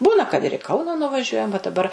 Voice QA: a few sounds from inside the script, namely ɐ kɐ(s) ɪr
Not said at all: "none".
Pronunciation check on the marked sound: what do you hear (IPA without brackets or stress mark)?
t